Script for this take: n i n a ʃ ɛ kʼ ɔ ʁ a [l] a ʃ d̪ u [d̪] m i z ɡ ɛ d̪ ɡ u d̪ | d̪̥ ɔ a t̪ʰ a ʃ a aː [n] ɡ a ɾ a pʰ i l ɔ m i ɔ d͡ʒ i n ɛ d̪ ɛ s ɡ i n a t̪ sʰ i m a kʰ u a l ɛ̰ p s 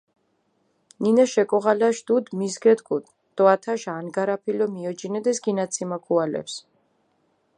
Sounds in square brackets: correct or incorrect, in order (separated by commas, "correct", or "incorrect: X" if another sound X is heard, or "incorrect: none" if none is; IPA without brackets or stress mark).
correct, correct, correct